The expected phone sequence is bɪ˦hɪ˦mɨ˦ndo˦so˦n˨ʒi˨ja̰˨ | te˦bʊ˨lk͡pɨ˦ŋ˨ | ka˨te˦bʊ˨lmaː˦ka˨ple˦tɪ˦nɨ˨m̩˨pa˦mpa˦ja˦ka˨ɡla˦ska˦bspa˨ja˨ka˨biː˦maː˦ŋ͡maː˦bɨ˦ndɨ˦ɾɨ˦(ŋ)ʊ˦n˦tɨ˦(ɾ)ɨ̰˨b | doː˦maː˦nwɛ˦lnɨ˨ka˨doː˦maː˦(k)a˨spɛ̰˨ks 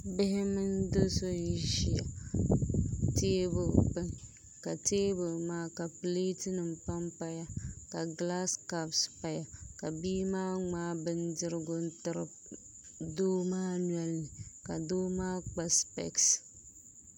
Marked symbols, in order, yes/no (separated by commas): no, yes, no